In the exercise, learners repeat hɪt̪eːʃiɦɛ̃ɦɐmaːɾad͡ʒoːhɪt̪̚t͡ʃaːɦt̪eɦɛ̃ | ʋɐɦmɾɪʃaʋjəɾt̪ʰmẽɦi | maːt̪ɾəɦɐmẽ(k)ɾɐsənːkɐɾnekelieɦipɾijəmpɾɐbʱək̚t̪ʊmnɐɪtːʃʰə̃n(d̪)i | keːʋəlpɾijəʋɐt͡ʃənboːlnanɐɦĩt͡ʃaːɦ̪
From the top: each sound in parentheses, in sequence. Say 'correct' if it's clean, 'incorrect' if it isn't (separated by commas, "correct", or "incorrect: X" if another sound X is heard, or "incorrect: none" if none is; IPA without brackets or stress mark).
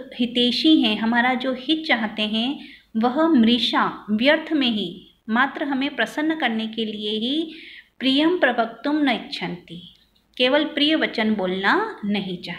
incorrect: p, incorrect: t̪